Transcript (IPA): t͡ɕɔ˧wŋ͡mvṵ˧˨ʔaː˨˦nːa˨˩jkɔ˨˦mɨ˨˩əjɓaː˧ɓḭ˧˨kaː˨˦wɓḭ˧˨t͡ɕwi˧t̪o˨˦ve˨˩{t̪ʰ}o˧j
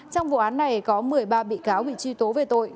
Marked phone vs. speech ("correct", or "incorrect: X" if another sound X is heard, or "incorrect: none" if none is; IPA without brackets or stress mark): incorrect: t̪